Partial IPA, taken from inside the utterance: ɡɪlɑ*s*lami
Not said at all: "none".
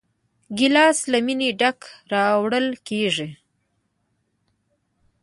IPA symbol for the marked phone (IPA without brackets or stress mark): s